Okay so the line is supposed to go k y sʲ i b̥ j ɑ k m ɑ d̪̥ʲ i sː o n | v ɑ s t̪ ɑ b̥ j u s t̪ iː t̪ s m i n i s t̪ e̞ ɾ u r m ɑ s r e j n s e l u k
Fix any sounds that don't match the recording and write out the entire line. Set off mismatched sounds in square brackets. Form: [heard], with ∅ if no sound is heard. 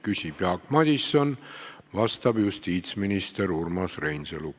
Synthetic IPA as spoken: k y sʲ i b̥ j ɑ k m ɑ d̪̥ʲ i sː o n | v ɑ s t̪ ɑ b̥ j u s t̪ iː t̪ s m i n i s t̪ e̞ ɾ u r m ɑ s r e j n s e l u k